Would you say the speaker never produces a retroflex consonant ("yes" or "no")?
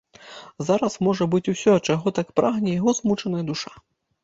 no